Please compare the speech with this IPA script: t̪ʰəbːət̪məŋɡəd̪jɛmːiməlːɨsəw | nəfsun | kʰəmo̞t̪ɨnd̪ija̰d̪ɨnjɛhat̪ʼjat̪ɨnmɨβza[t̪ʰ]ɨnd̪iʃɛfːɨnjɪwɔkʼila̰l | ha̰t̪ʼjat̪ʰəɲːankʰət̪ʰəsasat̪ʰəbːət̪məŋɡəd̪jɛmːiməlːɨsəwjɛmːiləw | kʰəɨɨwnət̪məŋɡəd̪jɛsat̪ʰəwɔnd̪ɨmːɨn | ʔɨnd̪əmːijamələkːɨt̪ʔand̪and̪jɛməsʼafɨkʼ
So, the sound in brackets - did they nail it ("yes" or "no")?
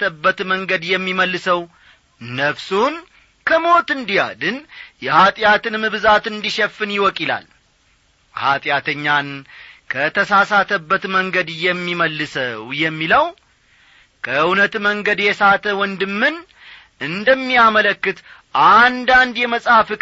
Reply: no